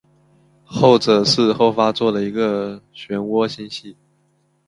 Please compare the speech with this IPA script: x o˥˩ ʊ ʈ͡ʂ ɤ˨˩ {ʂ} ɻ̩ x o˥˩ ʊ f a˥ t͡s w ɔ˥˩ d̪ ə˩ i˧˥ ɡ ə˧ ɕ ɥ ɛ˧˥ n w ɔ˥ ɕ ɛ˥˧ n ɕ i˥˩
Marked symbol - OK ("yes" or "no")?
yes